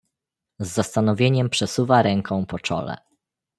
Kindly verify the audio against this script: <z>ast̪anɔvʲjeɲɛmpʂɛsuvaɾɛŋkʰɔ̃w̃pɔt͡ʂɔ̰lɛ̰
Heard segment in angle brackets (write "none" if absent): zː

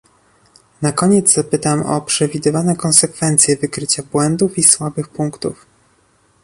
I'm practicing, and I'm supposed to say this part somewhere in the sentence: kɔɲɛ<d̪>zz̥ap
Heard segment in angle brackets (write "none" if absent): d̪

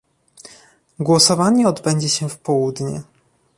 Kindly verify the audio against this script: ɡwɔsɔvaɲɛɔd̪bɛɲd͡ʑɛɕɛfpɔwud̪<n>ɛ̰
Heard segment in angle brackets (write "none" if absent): ɲ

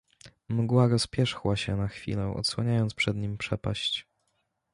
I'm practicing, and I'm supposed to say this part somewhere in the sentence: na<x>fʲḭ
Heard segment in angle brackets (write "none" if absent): x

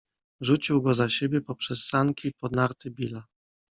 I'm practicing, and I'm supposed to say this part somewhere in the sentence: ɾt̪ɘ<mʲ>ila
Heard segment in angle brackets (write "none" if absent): bʲ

